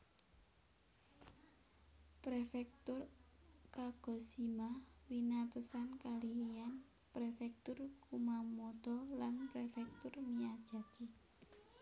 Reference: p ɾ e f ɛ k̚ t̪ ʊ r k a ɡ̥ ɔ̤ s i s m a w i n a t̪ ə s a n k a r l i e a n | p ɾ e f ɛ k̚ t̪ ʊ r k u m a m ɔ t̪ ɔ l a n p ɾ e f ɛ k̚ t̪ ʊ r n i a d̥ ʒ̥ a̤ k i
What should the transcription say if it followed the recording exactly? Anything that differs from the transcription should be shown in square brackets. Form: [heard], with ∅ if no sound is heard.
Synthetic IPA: p ɾ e f ɛ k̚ t̪ ʊ r k a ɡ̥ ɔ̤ s i [∅] m a w i n a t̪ ə s a n k a [∅] l i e a n | p ɾ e f ɛ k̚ t̪ ʊ r k u m a m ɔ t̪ ɔ l a n p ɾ e f ɛ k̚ t̪ ʊ r [m] i a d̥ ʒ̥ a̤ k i